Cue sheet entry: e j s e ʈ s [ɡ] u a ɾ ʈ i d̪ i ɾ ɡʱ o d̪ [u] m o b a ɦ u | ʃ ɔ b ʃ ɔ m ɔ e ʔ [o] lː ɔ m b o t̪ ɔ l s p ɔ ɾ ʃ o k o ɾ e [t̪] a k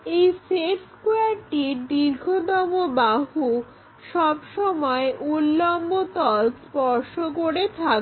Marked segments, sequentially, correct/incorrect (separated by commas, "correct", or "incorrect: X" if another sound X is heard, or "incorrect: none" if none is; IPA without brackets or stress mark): incorrect: k, incorrect: ɔ, incorrect: u, incorrect: t̪ʰ